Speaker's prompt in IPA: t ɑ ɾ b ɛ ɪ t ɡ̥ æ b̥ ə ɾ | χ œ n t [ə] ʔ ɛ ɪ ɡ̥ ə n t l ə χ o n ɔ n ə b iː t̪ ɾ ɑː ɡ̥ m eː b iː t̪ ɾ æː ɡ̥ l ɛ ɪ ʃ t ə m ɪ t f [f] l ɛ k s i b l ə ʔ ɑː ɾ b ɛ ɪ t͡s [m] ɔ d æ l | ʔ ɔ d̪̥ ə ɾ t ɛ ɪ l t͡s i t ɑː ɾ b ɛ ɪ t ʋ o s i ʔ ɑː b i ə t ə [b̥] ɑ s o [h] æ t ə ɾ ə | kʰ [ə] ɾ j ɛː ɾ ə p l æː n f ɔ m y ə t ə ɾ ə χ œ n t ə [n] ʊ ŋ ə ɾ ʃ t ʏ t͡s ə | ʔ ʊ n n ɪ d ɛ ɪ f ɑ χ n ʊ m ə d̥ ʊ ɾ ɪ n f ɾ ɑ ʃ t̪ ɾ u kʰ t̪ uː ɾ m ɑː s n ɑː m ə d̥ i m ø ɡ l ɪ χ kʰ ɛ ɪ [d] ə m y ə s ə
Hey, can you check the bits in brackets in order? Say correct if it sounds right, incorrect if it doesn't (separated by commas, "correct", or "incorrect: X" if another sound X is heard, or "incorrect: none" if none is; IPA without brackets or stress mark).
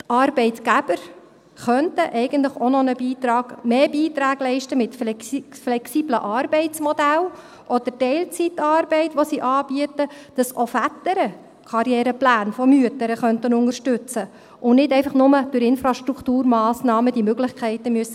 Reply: correct, correct, correct, incorrect: d̥, incorrect: f, incorrect: ɑ, correct, incorrect: t